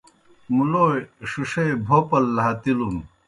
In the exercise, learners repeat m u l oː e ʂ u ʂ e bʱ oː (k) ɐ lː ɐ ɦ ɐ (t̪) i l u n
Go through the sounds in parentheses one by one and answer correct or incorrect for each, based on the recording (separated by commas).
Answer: incorrect, correct